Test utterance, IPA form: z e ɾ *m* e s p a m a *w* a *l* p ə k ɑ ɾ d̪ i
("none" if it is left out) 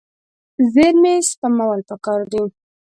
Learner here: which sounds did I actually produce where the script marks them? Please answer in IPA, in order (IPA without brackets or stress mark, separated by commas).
m, w, l